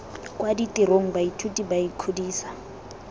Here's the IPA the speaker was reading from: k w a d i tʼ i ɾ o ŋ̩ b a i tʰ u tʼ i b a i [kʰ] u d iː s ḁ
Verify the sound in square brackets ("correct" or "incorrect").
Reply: correct